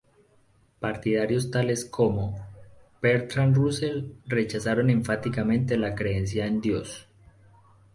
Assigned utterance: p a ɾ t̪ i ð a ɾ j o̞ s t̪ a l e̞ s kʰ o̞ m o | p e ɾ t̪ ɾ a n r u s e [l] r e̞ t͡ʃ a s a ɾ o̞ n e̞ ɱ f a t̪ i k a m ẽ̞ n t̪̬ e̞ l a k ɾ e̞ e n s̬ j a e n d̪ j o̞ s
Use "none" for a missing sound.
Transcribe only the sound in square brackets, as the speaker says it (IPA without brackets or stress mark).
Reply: l